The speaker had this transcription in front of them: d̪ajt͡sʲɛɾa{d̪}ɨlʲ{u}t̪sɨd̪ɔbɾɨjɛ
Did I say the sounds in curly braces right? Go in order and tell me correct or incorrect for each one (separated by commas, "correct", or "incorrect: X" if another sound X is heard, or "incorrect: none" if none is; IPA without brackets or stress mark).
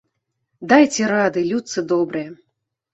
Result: correct, correct